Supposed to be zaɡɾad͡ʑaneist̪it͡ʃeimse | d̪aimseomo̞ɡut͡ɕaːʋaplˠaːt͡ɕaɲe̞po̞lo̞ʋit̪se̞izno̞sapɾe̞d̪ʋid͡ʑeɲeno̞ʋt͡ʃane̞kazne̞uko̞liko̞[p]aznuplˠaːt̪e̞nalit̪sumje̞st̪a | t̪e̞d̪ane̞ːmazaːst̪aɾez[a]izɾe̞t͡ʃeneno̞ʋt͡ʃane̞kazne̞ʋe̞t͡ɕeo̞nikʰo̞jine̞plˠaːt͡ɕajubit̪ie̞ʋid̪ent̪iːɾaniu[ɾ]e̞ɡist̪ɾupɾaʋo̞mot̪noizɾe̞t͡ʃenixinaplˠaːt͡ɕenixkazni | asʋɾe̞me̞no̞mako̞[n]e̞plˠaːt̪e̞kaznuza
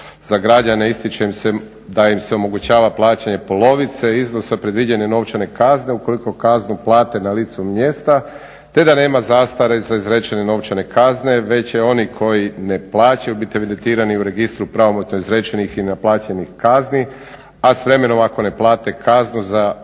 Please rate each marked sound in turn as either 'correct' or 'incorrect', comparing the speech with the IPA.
incorrect: k, correct, correct, correct

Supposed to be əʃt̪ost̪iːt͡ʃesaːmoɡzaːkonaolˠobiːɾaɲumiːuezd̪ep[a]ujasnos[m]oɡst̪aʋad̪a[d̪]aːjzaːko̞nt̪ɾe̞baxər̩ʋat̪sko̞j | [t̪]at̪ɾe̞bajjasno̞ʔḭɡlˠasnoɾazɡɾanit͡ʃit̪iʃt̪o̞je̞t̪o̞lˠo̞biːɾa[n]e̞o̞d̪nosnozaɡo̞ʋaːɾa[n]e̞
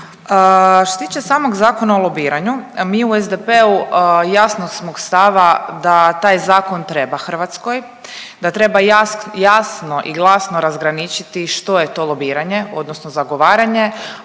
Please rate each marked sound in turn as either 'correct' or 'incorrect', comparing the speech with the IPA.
incorrect: e, correct, incorrect: t̪, incorrect: d̪, incorrect: ɲ, incorrect: ɲ

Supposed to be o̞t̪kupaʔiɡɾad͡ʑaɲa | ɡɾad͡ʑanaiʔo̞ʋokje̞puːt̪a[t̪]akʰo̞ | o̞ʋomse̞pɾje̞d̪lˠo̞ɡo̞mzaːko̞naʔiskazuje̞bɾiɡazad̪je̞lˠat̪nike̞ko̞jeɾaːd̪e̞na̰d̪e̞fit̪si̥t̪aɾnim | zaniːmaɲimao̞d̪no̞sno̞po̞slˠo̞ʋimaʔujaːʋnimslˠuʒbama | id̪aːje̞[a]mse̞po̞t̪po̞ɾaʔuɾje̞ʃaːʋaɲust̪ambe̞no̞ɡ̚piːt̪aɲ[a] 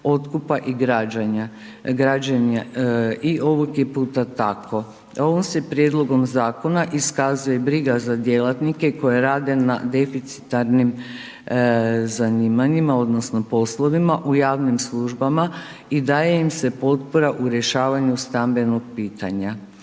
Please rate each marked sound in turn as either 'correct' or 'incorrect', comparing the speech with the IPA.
correct, incorrect: i, correct

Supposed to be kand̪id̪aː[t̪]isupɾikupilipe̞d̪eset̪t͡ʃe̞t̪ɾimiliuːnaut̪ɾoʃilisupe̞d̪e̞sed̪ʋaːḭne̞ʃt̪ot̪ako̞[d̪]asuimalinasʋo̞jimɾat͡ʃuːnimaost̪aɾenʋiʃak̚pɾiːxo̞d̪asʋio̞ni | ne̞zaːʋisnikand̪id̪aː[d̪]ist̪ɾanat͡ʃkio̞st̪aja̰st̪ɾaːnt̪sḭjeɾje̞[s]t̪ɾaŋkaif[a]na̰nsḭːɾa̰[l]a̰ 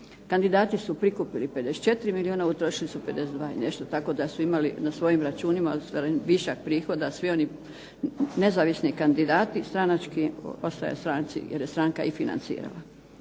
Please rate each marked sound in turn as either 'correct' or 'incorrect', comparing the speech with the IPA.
correct, correct, incorrect: t̪, correct, incorrect: i, correct

